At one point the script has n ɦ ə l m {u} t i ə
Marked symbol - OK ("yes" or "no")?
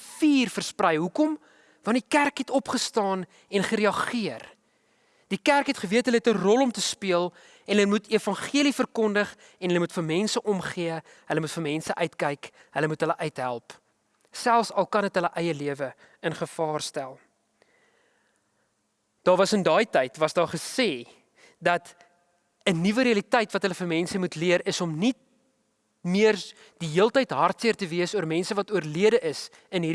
yes